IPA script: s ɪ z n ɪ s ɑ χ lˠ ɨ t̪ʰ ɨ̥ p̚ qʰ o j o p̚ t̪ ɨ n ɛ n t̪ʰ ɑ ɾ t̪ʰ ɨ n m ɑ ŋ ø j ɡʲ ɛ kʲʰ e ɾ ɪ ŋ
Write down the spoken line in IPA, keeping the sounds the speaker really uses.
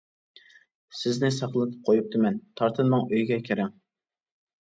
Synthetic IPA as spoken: s ɪ z n ɪ s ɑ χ lˠ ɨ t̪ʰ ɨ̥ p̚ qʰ o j u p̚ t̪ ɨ m ɛ n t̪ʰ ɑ ɾ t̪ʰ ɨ n m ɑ ŋ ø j ɡʲ ɛ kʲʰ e ɾ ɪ ŋ

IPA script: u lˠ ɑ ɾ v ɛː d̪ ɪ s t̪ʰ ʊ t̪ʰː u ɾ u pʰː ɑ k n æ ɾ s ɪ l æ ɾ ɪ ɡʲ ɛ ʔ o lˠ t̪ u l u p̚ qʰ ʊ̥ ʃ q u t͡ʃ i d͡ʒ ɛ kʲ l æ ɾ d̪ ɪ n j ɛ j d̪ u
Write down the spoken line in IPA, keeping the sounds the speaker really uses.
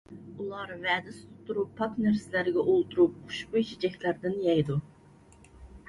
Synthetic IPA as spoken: u lˠ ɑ ɾ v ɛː d̪ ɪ s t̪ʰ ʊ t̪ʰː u ɾ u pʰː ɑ k n æ ɾ s ɪ l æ ɾ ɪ ɡʲ ɛ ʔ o lˠ t̪ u ɾ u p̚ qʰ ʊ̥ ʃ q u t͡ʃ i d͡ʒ ɛ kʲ l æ ɾ d̪ ɪ n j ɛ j d̪ u

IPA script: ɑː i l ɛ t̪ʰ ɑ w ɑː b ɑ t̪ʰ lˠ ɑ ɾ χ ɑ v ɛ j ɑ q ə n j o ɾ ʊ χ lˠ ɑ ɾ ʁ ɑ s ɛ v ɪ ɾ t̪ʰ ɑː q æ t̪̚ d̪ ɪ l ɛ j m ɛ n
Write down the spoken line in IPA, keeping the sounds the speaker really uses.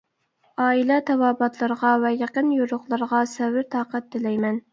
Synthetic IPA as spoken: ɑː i l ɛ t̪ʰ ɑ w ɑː b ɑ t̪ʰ lˠ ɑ ɾ ʁ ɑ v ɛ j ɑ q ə n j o ɾ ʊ χ lˠ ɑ ɾ ʁ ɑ s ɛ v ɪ ɾ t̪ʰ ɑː q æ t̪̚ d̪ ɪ l ɛ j m ɛ n

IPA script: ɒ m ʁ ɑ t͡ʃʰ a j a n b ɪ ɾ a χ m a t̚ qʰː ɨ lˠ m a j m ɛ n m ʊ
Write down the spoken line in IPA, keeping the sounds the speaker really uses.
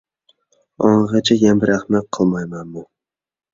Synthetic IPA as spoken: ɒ ɴ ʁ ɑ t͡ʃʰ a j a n b ɪ ɾ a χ m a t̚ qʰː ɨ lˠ m a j m a n m ʊ

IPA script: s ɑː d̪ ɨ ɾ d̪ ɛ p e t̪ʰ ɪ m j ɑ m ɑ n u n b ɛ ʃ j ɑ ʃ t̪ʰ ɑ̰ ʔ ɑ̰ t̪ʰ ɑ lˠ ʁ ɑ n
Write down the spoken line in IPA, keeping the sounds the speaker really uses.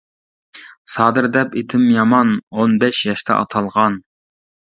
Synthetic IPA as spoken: s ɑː d̪ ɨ ɾ d̪ ɛ p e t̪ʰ ɪ m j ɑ m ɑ n o n b ɛ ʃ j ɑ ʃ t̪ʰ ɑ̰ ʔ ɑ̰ t̪ʰ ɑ lˠ ʁ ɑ n

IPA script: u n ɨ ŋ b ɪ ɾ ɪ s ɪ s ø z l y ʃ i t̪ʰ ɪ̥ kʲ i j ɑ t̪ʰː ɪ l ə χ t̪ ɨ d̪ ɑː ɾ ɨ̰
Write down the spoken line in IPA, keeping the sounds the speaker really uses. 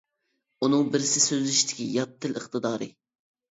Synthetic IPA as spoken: u n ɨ ŋ b ɪ ɾ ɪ s ɪ s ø z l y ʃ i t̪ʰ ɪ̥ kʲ i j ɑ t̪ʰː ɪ l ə χ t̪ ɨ d̪ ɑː ɾ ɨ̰

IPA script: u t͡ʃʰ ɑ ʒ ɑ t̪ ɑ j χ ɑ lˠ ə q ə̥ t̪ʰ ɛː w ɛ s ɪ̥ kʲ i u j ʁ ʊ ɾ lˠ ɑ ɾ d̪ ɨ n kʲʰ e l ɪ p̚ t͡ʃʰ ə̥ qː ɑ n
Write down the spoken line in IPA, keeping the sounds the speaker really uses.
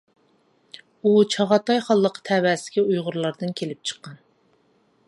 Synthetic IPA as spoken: u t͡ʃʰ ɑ ʁ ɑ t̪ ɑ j χ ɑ lˠː ə q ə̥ t̪ʰ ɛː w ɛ s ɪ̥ kʲ i u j ʁ ʊ ɾ lˠ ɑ ɾ d̪ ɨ n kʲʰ e l ɪ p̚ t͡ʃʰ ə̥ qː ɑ n

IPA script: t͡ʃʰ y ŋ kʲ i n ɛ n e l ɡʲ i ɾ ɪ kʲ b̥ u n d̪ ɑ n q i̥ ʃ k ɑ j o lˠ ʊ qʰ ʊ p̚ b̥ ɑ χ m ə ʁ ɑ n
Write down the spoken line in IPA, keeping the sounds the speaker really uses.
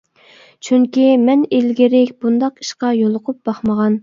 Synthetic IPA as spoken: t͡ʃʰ y ŋ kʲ i m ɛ n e l ɡʲ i ɾ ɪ kʲ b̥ u n d̪ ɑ q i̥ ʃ q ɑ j o lˠ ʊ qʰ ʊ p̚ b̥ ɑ χ m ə ʁ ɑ n

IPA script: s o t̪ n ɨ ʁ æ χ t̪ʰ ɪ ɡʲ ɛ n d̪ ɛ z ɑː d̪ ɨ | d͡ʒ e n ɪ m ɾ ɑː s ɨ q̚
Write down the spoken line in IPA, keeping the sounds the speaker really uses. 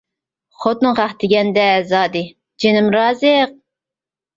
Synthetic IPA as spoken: χ o t̪ n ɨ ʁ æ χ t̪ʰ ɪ ɡʲ ɛ n d̪ ɛ z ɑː d̪ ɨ | d͡ʒ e n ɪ m ɾ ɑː z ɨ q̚

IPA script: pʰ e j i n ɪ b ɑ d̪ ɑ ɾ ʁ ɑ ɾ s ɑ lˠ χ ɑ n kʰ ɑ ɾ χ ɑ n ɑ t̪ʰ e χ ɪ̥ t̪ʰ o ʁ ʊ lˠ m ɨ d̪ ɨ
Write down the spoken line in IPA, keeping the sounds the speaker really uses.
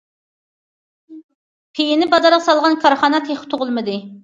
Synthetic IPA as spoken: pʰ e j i n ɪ b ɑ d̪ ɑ ɾ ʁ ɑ s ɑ lˠ ʁ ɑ n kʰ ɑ ɾ χ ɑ n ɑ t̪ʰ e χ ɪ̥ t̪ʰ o ʁ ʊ lˠ m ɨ d̪ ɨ

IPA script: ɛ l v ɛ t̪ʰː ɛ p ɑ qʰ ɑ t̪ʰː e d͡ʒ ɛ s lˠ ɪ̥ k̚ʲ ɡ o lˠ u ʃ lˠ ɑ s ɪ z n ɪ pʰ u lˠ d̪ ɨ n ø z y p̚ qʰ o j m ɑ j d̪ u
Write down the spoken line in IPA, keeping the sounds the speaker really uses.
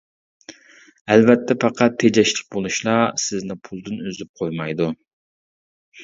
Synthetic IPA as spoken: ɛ l v ɛ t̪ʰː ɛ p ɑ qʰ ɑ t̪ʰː e d͡ʒ ɛ ʃ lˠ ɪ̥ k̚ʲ b o lˠ u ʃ lˠ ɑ s ɪ z n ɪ pʰ u lˠ d̪ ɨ n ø z y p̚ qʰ o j m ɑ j d̪ u

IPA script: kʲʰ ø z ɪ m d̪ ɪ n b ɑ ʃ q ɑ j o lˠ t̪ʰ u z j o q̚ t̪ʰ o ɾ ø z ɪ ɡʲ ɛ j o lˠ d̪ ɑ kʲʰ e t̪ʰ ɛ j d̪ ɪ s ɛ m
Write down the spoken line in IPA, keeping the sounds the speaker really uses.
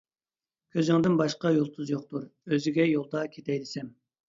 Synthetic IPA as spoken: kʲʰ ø z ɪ ŋ d̪ ɪ n b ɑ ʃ q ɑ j o lˠ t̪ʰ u z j o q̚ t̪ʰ u ɾ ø z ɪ ɡʲ ɛ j o lˠ d̪ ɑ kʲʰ e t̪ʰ ɛ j d̪ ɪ s ɛ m

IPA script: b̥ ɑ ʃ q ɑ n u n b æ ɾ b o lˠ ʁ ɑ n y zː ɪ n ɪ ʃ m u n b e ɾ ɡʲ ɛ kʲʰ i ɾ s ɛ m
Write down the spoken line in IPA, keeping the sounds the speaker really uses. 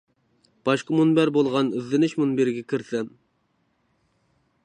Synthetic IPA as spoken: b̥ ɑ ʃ q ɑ m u n b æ ɾ b o lˠ ʁ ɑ n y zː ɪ n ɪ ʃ m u n b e ɾ ɡʲ ɛ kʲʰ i ɾ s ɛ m

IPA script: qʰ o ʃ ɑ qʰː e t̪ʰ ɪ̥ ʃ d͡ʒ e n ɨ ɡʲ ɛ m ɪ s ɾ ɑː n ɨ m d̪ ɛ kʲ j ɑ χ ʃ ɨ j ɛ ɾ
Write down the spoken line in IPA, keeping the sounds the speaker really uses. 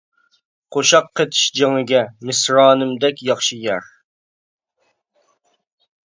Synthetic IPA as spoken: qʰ o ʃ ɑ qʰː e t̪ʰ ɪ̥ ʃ d͡ʒ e ŋ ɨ ɡʲ ɛ m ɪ s ɾ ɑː n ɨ m d̪ ɛ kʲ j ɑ χ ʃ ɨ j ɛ ɾ

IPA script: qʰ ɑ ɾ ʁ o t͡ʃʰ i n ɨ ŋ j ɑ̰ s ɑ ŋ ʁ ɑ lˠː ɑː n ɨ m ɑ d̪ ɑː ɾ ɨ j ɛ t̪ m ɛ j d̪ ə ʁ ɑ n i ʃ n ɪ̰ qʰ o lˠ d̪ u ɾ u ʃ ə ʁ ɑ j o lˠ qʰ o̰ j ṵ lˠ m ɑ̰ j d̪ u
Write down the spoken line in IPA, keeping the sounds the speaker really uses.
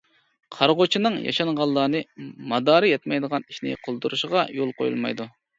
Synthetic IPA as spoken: qʰ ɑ ɾ ʁ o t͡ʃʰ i n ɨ ŋ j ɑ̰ ʃ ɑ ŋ ʁ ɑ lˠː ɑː n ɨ m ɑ d̪ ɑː ɾ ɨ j ɛ t̪ m ɛ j d̪ ə ʁ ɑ n i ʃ n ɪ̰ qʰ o lˠ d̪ u ɾ u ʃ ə ʁ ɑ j o lˠ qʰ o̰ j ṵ lˠ m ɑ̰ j d̪ u

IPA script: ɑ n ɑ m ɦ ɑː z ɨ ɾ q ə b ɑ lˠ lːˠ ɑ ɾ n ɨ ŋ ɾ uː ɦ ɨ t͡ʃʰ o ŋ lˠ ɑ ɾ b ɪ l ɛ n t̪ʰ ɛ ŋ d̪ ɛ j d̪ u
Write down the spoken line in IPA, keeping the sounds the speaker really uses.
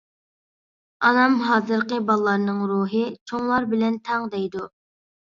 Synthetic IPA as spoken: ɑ n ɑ m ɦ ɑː z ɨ ɾ q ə b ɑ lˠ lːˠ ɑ ɾ n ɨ ŋ ɾ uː ɦ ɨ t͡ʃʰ o ŋ lˠ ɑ ɾ b ɪ l ɛ n t̪ʰ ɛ ŋ d̪ ɛ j d̪ u

